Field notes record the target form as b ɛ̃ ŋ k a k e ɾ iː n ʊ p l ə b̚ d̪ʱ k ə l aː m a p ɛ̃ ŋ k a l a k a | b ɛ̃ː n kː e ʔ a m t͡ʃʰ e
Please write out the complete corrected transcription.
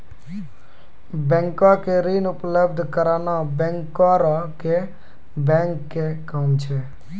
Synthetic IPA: b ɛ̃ ŋ k a k e ɾ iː n ʊ p l ə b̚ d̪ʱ k ə ɾ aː n a b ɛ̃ ŋ k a ɾ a k e | b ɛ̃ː ŋ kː e k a m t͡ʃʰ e

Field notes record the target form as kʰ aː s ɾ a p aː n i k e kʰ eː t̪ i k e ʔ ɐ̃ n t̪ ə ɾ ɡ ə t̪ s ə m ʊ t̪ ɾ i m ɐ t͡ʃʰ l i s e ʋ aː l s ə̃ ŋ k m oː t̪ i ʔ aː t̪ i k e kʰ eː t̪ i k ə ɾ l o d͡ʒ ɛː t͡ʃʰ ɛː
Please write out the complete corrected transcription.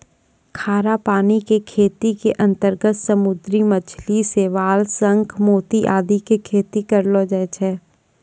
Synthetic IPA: kʰ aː ɾ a p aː n i k e kʰ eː t̪ i k e ʔ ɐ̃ n t̪ ə ɾ ɡ ə t̪ s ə m ʊ d̪ ɾ i m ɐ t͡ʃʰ l i s e ʋ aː l s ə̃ ŋ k m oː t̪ i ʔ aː d̪ i k e kʰ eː t̪ i k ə ɾ l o d͡ʒ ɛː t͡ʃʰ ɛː

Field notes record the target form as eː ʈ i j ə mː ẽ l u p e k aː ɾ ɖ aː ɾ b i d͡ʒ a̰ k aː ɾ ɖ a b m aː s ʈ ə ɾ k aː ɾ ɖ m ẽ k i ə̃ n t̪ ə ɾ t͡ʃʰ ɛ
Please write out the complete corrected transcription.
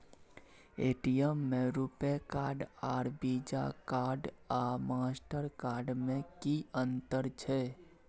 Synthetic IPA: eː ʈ i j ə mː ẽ ɾ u p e k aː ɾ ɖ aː ɾ b i d͡ʒ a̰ k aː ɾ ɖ a m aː s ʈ ə ɾ k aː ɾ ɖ m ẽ k i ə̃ n t̪ ə ɾ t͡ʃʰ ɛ

